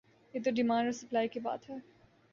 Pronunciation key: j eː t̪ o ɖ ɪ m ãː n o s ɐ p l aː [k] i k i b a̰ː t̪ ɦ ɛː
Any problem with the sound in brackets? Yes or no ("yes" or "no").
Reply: yes